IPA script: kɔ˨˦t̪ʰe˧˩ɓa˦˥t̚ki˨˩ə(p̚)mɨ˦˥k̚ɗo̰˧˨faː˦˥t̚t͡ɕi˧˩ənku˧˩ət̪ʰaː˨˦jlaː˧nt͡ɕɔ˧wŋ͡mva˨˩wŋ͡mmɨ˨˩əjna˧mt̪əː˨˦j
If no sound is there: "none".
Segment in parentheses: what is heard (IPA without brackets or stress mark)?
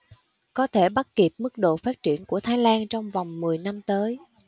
p̚